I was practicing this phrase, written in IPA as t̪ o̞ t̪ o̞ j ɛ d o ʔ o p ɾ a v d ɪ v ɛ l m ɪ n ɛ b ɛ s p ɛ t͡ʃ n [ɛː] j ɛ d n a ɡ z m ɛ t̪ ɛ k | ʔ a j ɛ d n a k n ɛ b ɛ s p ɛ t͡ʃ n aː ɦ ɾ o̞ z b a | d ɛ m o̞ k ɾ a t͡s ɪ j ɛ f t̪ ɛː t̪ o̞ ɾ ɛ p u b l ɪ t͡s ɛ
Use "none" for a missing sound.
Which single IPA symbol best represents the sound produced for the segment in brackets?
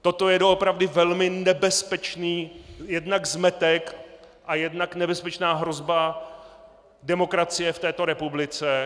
iː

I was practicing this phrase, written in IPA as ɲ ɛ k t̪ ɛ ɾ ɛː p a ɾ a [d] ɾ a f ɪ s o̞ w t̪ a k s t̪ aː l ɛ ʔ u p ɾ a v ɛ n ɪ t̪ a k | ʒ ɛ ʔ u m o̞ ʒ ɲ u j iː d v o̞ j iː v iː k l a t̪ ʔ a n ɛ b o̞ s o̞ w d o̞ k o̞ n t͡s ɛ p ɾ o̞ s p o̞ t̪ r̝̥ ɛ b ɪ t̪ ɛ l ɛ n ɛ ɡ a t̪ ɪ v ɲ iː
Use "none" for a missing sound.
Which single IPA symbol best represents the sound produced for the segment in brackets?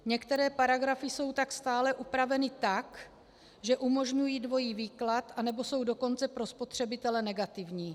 ɡ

